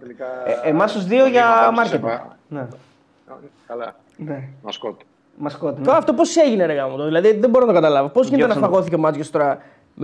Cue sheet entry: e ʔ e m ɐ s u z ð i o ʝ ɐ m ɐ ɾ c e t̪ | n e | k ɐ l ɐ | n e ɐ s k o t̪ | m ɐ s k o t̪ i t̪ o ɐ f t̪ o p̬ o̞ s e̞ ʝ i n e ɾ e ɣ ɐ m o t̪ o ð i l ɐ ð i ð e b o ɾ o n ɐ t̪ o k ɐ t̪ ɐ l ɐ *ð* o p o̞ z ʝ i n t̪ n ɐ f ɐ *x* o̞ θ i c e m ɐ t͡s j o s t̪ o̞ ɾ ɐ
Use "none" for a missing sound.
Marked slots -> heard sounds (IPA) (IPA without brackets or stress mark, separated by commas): v, ɣ